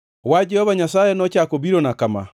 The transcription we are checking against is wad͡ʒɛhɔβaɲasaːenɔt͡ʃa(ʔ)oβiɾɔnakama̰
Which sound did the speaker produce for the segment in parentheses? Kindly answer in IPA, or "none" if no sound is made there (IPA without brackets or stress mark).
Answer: k